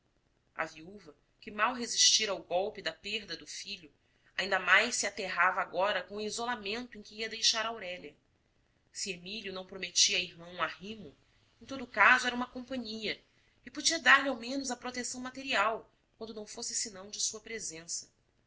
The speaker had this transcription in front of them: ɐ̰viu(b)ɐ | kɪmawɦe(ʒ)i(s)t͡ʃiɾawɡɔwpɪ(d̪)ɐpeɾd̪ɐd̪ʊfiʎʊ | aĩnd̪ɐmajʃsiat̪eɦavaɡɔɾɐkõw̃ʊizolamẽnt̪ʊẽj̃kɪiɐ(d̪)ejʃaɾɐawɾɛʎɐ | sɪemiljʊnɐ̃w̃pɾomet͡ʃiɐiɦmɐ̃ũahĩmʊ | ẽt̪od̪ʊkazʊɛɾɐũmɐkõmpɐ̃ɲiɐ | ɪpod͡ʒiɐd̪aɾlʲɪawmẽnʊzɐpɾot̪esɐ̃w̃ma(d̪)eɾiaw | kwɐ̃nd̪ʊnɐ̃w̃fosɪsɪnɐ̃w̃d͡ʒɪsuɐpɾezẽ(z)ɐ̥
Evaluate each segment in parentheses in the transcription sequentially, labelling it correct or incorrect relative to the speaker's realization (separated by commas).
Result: incorrect, incorrect, incorrect, correct, correct, incorrect, incorrect